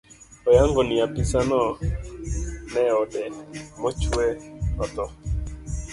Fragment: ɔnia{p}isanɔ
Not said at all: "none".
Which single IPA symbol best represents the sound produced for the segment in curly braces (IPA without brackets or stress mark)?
p